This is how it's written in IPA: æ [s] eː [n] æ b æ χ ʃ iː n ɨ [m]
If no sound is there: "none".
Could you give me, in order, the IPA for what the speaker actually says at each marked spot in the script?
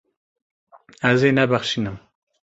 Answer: z, n, m

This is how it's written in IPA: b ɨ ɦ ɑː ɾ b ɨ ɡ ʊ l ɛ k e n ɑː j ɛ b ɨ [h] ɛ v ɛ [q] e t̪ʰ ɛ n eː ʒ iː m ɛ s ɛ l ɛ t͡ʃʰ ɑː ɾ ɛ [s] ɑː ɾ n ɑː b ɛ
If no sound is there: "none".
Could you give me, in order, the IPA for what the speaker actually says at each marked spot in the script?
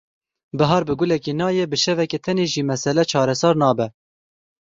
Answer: ʃ, k, s

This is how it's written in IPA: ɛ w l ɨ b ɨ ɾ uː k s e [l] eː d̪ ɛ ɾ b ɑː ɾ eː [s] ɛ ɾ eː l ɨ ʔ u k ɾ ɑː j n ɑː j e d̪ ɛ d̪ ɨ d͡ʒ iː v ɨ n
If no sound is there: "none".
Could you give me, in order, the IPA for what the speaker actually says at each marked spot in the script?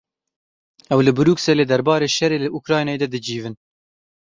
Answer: l, ʃ

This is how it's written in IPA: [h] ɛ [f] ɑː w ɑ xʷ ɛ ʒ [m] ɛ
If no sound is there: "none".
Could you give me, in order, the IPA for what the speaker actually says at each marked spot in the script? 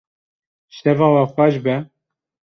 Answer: ʃ, v, b

